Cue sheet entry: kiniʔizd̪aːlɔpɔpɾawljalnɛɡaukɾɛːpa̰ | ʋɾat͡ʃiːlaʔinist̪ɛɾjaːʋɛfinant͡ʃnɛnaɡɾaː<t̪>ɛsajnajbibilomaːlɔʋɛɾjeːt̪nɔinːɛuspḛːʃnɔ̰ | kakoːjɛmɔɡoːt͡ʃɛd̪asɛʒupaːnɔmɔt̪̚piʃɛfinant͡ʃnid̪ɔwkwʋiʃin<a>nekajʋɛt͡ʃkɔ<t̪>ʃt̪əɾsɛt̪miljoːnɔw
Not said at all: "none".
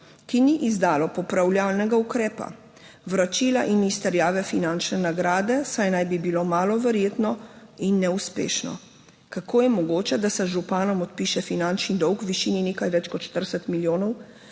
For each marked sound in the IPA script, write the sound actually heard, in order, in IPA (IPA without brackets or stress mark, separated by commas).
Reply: d̪, i, t̪